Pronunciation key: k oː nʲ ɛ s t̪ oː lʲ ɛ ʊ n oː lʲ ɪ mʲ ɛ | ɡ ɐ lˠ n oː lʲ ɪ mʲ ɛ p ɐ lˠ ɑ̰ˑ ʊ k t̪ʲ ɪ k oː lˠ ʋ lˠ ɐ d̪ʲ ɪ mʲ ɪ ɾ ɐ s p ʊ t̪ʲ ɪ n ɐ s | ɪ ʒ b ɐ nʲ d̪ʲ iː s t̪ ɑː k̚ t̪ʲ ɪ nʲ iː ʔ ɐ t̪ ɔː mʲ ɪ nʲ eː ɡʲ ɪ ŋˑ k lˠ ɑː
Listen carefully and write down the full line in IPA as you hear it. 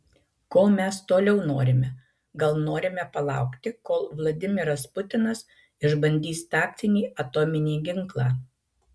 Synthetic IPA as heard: k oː mʲ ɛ s t̪ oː lʲ ɛ ʊ n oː ɾʲ ɪ mʲ ɛ | ɡ ɐ lˠ n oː ɾʲ ɪ mʲ ɛ p ɐ lˠ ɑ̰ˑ ʊ k t̪ʲ ɪ k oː lˠ ʋ lˠ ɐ d̪ʲ ɪ mʲ ɪ ɾ ɐ s p ʊ t̪ʲ ɪ n ɐ s | ɪ ʒ b ɐ nʲ d̪ʲ iː s t̪ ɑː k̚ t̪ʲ ɪ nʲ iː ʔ ɐ t̪ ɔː mʲ ɪ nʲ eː ɡʲ ɪ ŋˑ k lˠ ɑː

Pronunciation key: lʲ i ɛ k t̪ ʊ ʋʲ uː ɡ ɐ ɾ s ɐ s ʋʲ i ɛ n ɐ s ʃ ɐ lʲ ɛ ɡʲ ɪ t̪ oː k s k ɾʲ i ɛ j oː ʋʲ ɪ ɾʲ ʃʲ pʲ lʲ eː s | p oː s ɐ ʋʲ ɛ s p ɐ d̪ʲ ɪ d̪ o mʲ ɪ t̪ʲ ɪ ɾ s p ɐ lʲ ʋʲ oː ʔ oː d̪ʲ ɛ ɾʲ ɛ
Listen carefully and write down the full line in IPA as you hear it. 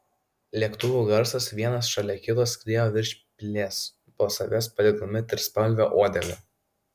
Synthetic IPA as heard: lʲ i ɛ k t̪ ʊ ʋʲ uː ɡ ɐ ɾ s ɐ s ʋʲ i ɛ n ɐ s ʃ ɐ lʲ ɛ kʲ ɪ t̪ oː s k ɾʲ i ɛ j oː ʋʲ ɪ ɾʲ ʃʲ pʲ lʲ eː s | p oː s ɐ ʋʲ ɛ s p ɐ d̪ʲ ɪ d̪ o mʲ ɪ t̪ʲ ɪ ɾ s p ɐ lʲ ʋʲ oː ʔ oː d̪ʲ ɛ lʲ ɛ

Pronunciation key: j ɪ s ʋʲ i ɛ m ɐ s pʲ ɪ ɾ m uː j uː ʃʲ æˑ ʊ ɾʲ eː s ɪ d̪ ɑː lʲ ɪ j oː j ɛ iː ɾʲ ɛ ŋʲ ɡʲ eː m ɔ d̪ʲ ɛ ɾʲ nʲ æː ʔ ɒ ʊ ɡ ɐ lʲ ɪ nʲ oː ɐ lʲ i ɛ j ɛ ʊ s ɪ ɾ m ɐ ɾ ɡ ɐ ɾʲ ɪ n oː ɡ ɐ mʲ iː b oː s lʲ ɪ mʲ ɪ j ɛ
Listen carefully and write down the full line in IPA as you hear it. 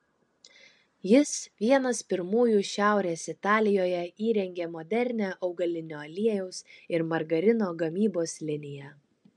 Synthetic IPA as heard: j ɪ s ʋʲ i ɛ n ɐ s pʲ ɪ ɾ m uː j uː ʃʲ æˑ ʊ ɾʲ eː s ɪ t̪ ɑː lʲ ɪ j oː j ɛ iː ɾʲ ɛ ŋʲ ɡʲ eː m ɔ d̪ʲ ɛ ɾʲ nʲ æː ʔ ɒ ʊ ɡ ɐ lʲ ɪ nʲ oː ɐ lʲ i ɛ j ɛ ʊ s ɪ ɾ m ɐ ɾ ɡ ɐ ɾʲ ɪ n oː ɡ ɐ mʲ iː b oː s lʲ ɪ nʲ ɪ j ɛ

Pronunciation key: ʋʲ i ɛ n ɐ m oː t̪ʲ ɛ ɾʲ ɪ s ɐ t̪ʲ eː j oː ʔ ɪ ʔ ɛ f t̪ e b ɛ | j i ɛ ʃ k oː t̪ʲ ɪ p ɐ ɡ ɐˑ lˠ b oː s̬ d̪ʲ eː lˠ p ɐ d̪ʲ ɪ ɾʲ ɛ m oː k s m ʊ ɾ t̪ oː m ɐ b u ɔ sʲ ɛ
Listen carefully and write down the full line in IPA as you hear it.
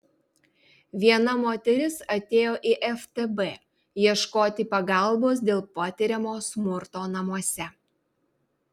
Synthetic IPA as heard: ʋʲ i ɛ n ɐ m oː t̪ʲ ɛ ɾʲ ɪ s ɐ t̪ʲ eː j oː ʔ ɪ ʔ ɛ f t̪ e b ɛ | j i ɛ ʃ k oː t̪ʲ ɪ p ɐ ɡ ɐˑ lˠ b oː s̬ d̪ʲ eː lˠ p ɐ t̪ʲ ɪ ɾʲ ɛ m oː s m ʊ ɾ t̪ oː n ɐ m u ɔ sʲ ɛ

